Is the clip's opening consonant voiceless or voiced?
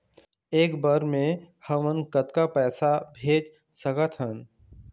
voiceless